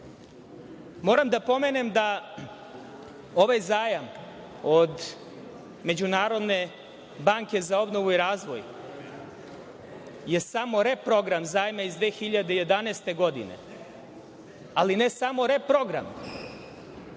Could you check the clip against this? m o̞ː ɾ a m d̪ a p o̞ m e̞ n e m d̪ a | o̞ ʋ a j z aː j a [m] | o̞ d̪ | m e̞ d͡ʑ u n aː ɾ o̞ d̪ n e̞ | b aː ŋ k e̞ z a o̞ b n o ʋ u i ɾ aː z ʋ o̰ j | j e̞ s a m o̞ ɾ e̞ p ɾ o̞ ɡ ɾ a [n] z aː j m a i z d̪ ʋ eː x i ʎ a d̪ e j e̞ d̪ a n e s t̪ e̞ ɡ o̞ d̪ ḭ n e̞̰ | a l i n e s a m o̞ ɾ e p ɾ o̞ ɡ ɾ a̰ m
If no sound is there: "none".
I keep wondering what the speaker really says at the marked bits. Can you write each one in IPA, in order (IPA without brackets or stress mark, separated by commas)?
m, m